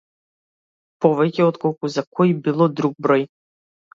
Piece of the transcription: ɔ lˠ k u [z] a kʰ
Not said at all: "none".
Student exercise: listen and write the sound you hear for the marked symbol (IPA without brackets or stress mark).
z